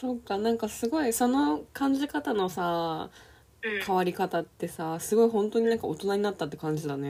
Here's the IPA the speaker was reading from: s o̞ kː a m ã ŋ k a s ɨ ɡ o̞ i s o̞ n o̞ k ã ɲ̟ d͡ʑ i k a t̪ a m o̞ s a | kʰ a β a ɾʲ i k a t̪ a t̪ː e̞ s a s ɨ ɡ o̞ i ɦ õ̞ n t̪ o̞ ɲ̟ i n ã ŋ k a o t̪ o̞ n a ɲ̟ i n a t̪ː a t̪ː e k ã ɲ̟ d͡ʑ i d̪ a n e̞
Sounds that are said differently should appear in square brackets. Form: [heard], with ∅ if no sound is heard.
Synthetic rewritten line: s o̞ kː a [n] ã ŋ k a s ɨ ɡ o̞ i s o̞ n o̞ k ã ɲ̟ d͡ʑ i k a t̪ a [n] o̞ s a | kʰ a β a ɾʲ i k a t̪ a t̪ː e̞ s a s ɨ ɡ o̞ i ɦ õ̞ n t̪ o̞ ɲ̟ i n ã ŋ k a o t̪ o̞ n a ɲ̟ i n a t̪ː a t̪ː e k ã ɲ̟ d͡ʑ i d̪ a n e̞